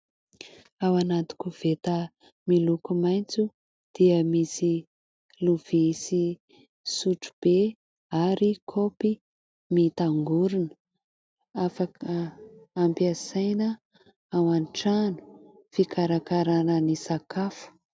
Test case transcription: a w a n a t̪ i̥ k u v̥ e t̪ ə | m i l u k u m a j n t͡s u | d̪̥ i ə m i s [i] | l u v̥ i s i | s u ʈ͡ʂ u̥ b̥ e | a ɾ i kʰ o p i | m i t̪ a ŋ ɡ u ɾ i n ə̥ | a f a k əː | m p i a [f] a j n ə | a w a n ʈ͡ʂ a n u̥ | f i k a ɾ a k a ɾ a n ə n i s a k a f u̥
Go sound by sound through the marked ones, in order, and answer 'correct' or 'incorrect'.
correct, incorrect: s

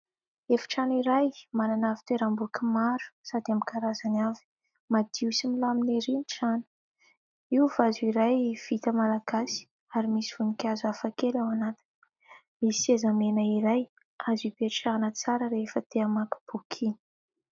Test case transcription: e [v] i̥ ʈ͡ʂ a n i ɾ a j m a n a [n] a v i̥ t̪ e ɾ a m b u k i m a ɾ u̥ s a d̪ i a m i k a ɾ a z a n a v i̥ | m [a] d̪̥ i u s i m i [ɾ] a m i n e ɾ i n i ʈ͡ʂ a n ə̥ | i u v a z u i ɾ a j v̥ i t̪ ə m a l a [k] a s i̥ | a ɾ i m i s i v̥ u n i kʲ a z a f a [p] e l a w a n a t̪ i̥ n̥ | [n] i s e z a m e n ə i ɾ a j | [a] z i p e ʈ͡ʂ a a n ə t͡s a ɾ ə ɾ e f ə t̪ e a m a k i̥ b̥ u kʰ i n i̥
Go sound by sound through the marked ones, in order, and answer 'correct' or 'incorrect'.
incorrect: f, correct, correct, incorrect: l, incorrect: ɡ, incorrect: k, incorrect: m, correct

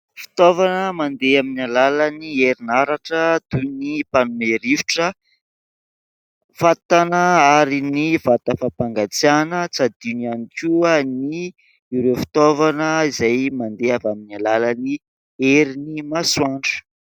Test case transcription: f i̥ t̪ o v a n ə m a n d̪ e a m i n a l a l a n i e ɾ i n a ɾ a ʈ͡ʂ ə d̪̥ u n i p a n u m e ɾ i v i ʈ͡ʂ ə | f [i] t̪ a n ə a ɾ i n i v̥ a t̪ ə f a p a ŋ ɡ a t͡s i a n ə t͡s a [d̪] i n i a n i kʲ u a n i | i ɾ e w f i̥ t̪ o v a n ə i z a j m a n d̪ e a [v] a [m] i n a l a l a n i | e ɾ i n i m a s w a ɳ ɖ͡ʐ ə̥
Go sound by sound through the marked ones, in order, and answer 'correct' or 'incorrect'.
incorrect: a, correct, correct, correct

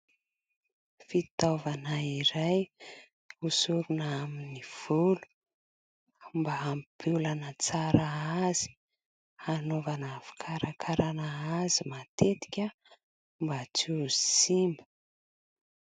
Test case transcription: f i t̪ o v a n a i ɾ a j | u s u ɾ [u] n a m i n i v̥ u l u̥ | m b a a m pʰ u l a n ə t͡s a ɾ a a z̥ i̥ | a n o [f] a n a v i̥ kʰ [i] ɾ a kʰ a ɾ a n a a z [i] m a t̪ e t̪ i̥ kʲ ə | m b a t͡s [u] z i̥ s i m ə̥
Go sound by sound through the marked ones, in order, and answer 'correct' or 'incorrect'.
correct, incorrect: v, incorrect: a, correct, correct

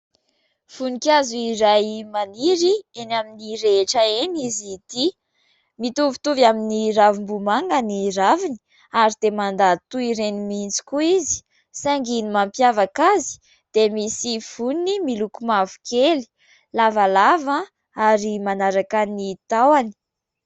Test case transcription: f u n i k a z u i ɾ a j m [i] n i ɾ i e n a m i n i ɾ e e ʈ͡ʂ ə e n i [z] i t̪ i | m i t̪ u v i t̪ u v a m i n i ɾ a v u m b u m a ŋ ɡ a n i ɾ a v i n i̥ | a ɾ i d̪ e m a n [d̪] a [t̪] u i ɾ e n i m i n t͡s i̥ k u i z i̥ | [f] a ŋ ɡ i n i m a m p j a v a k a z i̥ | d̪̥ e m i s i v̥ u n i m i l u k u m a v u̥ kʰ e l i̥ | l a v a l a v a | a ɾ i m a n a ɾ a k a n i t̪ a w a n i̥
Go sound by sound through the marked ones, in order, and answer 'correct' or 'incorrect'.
incorrect: a, correct, correct, correct, incorrect: s

